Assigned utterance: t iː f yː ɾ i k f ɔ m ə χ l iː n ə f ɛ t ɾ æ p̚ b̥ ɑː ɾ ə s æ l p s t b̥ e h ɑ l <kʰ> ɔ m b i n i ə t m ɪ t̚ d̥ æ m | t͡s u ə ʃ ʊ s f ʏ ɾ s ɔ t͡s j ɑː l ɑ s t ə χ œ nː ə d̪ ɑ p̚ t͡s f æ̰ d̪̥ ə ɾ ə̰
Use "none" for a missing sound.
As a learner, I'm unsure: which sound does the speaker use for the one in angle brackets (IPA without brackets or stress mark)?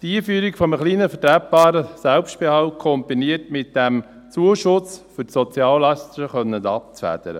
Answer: kʰ